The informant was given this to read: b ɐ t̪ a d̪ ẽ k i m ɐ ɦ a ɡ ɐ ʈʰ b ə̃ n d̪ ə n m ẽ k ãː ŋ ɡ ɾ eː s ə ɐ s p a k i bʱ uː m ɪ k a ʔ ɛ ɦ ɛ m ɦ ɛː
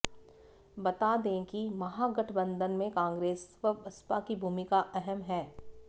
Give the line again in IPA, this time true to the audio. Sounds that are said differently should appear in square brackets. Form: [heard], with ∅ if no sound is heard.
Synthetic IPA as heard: b ɐ t̪ a d̪ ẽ k i m ɐ ɦ a ɡ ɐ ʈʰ b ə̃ n d̪ ə n m ẽ k ãː ŋ ɡ ɾ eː s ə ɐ s p a k i bʱ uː m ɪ k a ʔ ɛ ɦ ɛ m ɦ ɛː